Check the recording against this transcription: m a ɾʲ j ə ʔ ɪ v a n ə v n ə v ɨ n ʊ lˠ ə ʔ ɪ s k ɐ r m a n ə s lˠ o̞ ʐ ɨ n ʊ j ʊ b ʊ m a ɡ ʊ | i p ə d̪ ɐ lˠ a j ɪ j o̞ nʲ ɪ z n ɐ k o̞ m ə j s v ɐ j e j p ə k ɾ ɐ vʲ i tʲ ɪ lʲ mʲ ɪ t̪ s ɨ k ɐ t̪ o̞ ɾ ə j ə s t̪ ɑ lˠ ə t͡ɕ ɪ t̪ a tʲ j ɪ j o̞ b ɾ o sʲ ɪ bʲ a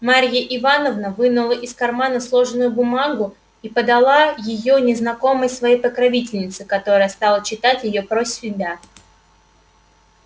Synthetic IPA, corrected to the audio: m a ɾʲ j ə ʔ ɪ v a n ə v n ə v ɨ n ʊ lˠ ə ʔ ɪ s k ɐ r m a n ə s lˠ o̞ ʐ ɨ n ʊ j ʊ b ʊ m a ɡ ʊ | i p ə d̪ ɐ lˠ a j ɪ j o̞ nʲ ɪ z n ɐ k o̞ m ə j s v ɐ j e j p ə k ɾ ɐ vʲ i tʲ ɪ lʲ nʲ ɪ t̪ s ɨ k ɐ t̪ o̞ ɾ ə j ə s t̪ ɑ lˠ ə t͡ɕ ɪ t̪ a tʲ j ɪ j o̞ p ɾ o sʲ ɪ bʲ a